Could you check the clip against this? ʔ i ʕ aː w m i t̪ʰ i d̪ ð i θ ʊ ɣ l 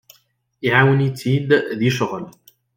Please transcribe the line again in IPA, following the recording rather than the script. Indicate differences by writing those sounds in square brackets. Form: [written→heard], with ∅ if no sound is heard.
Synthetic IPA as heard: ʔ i ʕ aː w [m→n] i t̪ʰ i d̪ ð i [θ→ʃ] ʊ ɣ l